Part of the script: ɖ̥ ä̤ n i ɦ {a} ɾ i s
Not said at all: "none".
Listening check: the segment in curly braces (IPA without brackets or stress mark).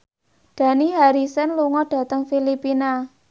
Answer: a